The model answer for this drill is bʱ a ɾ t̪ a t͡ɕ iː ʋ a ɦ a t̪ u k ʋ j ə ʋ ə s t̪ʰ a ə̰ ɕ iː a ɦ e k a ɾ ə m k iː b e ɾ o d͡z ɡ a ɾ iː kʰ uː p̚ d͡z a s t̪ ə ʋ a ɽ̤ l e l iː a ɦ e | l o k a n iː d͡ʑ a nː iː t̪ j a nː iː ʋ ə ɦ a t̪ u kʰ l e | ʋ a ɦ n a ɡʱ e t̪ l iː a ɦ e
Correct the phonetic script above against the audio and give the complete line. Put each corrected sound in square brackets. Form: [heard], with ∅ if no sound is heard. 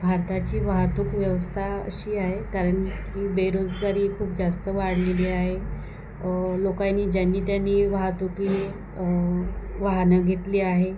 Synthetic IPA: bʱ a ɾ t̪ a t͡ɕ iː ʋ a ɦ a t̪ u k ʋ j ə ʋ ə s t̪ʰ a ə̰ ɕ iː a ɦ e k a ɾ ə [ɳ] k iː b e ɾ o d͡z ɡ a ɾ iː kʰ uː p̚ d͡z a s t̪ ə ʋ a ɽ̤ l e l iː a ɦ e | l o k a n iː d͡ʑ a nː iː t̪ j a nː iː ʋ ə ɦ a t̪ u [k] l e | ʋ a ɦ n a ɡʱ e t̪ l iː a ɦ e

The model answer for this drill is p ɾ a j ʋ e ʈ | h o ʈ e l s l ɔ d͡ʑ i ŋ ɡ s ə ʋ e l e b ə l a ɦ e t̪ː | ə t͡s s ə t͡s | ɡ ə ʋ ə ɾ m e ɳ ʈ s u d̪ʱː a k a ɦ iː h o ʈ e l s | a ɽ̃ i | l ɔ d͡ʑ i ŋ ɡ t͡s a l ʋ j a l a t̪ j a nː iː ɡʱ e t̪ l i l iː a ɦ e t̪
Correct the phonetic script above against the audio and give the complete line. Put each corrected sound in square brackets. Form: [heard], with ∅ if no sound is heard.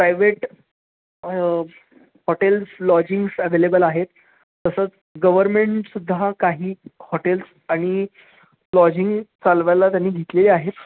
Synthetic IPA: p ɾ a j ʋ e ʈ | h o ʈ e l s l ɔ d͡ʑ i ŋ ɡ s ə ʋ e l e b ə l a ɦ e t̪ː | ə [∅] s ə t͡s | ɡ ə ʋ ə ɾ m e ɳ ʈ s u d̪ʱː a k a ɦ iː h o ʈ e l s | a ɽ̃ i | l ɔ d͡ʑ i ŋ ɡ t͡s a l ʋ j a l a t̪ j a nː iː ɡʱ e t̪ l [e] l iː a ɦ e t̪

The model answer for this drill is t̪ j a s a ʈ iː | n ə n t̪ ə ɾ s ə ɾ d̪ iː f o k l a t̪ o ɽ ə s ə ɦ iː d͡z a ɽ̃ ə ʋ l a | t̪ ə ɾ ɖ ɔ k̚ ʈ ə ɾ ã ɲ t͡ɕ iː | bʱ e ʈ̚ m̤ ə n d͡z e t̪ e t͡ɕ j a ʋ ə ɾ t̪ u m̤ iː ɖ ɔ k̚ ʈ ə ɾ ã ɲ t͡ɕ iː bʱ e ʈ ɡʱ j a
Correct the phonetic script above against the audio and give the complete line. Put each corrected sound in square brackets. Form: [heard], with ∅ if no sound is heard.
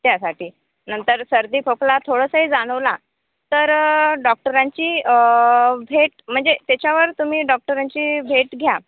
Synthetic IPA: t̪ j a s a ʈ iː | n ə n t̪ ə ɾ s ə ɾ d̪ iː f o k l a [t̪ʰ] o ɽ ə s ə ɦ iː d͡z a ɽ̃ ə ʋ l a | t̪ ə ɾ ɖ ɔ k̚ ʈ ə ɾ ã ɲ t͡ɕ iː | bʱ e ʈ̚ m̤ ə [ɳ] d͡z e t̪ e t͡ɕ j a ʋ ə ɾ t̪ u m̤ iː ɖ ɔ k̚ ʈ ə ɾ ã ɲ t͡ɕ iː bʱ e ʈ ɡʱ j a

